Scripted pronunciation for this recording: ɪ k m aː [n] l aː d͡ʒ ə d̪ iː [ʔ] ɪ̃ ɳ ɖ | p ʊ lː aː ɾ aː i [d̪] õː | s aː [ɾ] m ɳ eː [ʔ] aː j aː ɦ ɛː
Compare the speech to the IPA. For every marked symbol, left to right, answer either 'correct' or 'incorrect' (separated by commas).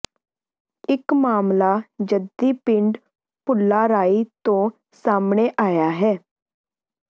incorrect, incorrect, incorrect, incorrect, correct